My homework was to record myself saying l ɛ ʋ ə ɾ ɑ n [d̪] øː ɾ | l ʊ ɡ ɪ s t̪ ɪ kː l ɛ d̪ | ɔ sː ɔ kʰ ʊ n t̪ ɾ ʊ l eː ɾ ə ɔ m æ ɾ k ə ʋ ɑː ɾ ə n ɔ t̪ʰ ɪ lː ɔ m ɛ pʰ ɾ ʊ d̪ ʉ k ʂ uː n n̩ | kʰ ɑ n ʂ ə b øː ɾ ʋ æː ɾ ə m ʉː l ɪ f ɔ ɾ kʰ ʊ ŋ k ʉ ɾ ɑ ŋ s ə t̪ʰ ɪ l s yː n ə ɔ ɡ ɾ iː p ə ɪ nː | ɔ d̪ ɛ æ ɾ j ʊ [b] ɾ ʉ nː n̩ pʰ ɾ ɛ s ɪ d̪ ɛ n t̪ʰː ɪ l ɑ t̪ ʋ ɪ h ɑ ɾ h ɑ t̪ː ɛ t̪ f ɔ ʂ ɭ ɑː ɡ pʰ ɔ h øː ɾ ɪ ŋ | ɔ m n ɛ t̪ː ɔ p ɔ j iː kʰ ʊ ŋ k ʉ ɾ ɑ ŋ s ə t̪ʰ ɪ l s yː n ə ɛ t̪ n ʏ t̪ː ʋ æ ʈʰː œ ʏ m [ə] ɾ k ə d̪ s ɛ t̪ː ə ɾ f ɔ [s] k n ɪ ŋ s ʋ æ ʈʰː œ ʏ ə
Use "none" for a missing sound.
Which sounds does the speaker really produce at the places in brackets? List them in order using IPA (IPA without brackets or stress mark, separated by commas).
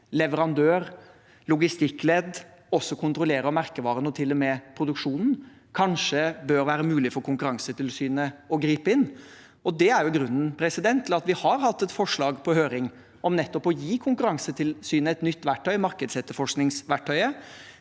d̪, ɡ, ɑ, ʂ